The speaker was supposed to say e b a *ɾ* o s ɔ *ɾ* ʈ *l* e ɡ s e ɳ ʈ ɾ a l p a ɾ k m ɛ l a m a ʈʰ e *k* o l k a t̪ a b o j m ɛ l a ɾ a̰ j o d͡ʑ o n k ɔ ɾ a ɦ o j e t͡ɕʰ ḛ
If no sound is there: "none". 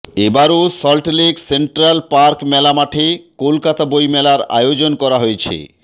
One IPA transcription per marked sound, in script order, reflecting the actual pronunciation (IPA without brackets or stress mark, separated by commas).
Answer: ɾ, l, l, k